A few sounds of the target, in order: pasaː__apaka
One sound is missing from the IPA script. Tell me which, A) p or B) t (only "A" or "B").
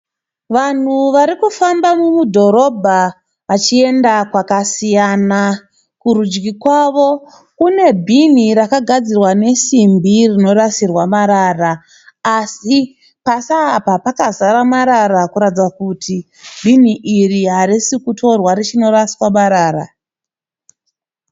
A